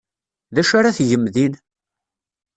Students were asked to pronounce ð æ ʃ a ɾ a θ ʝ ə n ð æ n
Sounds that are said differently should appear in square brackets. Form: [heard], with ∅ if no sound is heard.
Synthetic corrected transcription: ð æ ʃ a ɾ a θ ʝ ə [m] ð [i] n